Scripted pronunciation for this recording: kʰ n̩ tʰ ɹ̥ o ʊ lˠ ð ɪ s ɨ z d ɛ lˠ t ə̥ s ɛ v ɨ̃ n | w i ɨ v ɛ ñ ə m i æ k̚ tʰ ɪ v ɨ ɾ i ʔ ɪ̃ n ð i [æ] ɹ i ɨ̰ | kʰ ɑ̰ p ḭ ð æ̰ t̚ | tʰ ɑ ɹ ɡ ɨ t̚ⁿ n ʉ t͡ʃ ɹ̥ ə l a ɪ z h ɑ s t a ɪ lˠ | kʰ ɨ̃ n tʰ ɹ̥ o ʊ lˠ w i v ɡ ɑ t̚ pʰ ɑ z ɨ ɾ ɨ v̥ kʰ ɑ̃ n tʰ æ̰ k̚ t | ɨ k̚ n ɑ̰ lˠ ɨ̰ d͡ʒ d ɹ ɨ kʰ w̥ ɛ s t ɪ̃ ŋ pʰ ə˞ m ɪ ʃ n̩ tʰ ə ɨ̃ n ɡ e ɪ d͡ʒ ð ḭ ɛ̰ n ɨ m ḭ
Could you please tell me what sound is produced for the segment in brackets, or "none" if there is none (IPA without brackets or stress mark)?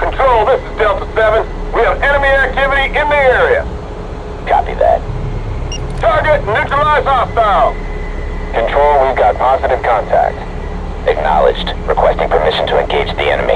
ɛ